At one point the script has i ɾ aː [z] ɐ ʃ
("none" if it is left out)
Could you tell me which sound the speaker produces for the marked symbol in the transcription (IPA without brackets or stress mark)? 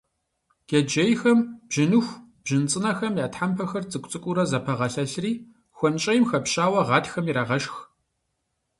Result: ʁ